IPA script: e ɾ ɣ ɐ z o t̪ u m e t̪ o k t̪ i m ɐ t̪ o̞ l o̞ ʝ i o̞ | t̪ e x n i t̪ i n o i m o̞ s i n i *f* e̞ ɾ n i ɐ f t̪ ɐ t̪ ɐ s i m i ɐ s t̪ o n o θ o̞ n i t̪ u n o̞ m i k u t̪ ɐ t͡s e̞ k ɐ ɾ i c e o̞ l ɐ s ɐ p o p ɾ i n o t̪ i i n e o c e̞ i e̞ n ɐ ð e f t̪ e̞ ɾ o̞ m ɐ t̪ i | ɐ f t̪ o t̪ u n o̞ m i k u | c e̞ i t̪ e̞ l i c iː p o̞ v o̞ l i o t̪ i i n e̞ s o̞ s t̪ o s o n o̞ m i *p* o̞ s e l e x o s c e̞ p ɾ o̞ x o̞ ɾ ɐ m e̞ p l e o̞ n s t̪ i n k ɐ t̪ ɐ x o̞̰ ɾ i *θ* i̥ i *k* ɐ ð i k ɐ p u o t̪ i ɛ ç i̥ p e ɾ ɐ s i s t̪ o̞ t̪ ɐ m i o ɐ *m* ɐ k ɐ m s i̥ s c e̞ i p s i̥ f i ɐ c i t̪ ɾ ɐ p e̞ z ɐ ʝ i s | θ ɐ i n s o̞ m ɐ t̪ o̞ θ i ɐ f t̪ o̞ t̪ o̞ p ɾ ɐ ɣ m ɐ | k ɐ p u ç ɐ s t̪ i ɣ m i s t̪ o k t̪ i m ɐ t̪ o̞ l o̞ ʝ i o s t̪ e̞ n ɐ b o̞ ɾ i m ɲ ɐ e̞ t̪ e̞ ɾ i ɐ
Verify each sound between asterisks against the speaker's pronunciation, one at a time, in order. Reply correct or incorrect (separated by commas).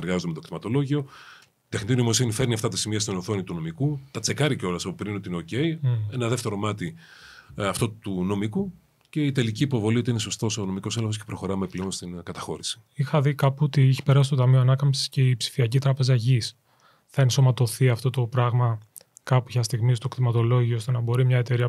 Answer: correct, incorrect, incorrect, incorrect, incorrect